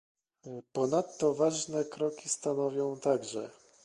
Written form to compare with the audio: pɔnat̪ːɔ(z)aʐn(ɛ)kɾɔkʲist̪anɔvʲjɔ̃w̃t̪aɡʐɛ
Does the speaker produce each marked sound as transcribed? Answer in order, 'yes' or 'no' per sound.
no, yes

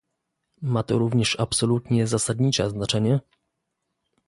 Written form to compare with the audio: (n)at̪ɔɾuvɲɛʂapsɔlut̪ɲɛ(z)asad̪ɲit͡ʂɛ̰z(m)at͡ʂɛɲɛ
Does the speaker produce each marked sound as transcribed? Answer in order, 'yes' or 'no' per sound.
no, yes, no

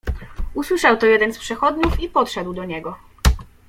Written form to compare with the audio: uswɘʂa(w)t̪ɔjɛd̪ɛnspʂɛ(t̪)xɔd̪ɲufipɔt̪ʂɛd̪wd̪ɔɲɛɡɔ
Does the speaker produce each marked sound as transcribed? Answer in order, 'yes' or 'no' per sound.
yes, no

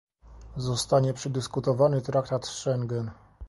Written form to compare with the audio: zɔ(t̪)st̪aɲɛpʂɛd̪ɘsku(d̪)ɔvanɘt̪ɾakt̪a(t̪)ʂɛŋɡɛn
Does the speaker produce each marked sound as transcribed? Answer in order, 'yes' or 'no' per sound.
no, no, yes

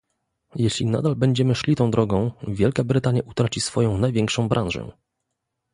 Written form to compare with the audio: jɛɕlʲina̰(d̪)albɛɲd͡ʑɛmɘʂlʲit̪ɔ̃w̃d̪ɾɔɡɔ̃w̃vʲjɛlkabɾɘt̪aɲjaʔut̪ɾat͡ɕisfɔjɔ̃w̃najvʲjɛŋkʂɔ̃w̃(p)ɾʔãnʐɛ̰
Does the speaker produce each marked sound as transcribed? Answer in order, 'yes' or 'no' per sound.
yes, no

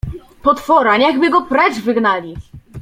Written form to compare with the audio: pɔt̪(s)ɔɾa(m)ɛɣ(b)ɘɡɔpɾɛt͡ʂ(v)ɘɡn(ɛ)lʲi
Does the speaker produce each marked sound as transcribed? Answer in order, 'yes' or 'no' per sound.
no, no, yes, yes, no

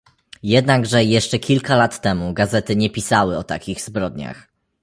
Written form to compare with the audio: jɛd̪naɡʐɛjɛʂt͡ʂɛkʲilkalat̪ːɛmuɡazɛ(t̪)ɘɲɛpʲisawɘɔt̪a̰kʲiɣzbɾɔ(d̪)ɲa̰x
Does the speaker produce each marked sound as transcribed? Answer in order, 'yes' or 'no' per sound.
yes, yes

